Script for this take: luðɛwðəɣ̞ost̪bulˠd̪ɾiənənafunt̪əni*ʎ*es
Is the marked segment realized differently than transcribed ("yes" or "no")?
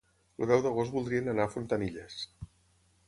no